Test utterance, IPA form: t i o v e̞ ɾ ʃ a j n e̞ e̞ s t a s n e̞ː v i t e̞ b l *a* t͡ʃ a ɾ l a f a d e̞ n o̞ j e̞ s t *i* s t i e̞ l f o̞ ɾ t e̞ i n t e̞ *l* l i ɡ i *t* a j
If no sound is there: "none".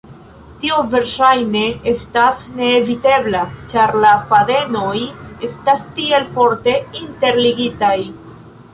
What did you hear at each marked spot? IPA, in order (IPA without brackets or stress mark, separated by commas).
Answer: a, a, ɾ, t